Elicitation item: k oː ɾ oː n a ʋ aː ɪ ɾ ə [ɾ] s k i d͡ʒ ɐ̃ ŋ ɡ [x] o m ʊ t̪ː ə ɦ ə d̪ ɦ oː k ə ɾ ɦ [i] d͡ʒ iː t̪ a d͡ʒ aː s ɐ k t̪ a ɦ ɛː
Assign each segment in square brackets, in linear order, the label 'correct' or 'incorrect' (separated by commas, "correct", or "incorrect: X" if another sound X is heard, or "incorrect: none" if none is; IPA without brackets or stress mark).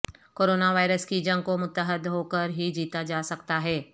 incorrect: none, incorrect: k, correct